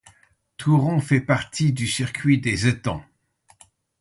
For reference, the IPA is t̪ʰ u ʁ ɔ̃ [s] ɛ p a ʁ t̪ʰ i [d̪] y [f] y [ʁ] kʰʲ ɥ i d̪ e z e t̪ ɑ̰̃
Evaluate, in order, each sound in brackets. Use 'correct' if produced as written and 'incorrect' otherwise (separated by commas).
incorrect, correct, incorrect, correct